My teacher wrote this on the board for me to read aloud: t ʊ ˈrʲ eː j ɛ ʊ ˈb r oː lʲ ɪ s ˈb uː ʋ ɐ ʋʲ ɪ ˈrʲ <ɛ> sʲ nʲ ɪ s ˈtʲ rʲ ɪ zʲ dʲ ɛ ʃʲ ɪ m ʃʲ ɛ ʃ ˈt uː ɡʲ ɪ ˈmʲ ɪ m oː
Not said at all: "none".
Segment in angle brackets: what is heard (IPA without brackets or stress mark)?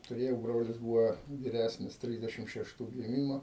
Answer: æ